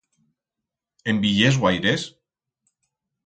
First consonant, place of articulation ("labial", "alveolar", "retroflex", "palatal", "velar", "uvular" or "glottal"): labial